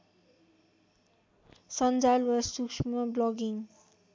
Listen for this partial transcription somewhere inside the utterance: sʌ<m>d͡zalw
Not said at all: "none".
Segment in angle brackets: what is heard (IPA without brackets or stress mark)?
n